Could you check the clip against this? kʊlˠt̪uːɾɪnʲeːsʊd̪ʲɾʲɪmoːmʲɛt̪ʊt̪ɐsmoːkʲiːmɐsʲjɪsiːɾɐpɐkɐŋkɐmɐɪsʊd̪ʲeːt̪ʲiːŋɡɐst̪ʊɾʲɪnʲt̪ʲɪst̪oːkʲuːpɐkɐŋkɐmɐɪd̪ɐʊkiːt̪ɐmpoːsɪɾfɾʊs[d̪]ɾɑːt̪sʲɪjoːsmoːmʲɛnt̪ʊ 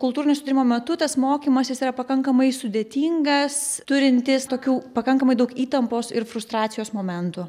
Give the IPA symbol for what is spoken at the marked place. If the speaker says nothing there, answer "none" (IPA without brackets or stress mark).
t̪